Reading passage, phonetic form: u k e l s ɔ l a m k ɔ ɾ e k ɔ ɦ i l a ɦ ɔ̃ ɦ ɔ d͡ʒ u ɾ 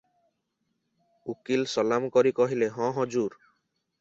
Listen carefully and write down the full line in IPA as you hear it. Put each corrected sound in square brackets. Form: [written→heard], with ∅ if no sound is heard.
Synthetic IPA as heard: u k [e→i] l s ɔ l a m k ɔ ɾ [e→i] k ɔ ɦ i l [a→e] ɦ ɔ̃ ɦ ɔ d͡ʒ u ɾ

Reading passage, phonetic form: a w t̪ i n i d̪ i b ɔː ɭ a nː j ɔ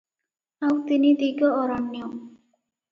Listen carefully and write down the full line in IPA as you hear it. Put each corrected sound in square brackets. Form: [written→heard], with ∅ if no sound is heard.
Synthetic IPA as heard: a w t̪ i n i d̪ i [b→ɡ] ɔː [ɭ→ɾ] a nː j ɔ

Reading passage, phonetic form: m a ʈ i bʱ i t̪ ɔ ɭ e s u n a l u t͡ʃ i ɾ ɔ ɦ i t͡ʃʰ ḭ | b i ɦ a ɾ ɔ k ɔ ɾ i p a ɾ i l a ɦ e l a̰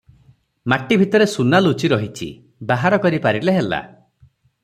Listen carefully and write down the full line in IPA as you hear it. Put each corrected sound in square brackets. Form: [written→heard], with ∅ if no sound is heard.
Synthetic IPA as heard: m a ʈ i bʱ i t̪ ɔ [ɭ→ɾ] e s u n a l u t͡ʃ i ɾ ɔ ɦ i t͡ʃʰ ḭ | b [i→a] ɦ a ɾ ɔ k ɔ ɾ i p a ɾ i l [a→e] ɦ e l a̰

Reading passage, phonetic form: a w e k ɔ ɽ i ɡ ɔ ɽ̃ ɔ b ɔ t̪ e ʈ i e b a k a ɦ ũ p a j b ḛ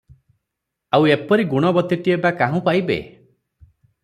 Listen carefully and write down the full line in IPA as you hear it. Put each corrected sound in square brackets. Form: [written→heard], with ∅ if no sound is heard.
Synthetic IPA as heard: a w e [k→p] ɔ [ɽ→ɾ] i ɡ [ɔ→u] ɽ̃ ɔ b ɔ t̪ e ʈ i e b a k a ɦ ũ p a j b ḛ

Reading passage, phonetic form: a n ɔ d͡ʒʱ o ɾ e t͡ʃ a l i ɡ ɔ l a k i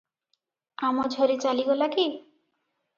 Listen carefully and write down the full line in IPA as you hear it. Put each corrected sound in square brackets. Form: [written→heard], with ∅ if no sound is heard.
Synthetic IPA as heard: a [n→m] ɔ d͡ʒʱ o ɾ [e→i] t͡ʃ a l i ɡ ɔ l a k i

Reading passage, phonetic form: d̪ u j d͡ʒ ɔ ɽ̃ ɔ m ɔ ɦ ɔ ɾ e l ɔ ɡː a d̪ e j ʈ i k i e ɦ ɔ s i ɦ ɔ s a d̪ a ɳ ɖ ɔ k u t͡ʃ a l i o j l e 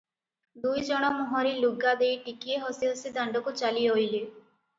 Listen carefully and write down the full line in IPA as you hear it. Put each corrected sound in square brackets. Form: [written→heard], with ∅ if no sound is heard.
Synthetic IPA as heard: d̪ u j d͡ʒ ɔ ɽ̃ ɔ m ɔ ɦ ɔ ɾ [e→i] l [ɔ→u] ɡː a d̪ e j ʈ i k i e ɦ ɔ s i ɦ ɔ s [a→i] d̪ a ɳ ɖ ɔ k u t͡ʃ a l i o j l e

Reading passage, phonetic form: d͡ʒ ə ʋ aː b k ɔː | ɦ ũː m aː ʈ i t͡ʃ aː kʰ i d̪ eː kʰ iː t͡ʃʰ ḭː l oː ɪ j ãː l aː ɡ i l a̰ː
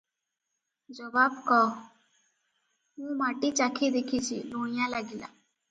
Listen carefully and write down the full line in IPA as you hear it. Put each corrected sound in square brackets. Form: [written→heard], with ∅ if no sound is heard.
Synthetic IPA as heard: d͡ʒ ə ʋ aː b k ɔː | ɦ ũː m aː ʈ i t͡ʃ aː kʰ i d̪ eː kʰ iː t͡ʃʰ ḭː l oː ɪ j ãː l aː ɡ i l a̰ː

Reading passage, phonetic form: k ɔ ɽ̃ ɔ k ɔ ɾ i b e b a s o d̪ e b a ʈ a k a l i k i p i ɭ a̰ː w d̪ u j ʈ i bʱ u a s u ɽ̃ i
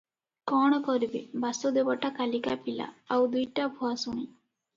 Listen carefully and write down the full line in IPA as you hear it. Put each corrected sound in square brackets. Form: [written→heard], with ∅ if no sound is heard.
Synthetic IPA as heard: k ɔ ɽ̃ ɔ k ɔ ɾ i b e b a s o d̪ e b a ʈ a k a l i k [i→a] p i [ɭ→l] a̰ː w d̪ u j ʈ [i→a] bʱ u a s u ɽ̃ i

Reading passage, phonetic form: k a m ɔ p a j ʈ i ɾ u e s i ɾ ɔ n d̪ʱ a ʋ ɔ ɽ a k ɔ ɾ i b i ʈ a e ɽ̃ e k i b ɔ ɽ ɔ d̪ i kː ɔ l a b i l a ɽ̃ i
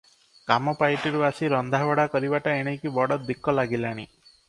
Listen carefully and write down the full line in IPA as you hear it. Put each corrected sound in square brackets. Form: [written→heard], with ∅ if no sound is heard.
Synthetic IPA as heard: k a m ɔ p a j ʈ i ɾ u [e→a] s i ɾ ɔ n d̪ʱ a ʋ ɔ ɽ a k ɔ ɾ i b [i→a] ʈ a e ɽ̃ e k i b ɔ ɽ ɔ d̪ i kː ɔ l a [b→ɡ] i l a ɽ̃ i

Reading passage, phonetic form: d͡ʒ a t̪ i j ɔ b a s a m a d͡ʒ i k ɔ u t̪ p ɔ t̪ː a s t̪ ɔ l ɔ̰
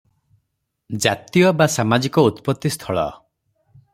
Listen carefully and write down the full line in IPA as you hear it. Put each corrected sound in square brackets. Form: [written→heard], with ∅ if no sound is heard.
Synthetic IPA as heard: d͡ʒ a t̪ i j ɔ b a s a m a d͡ʒ i k ɔ u t̪ p ɔ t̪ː [a→i] s [t̪→t̪ʰ] ɔ [l→ɭ] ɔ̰

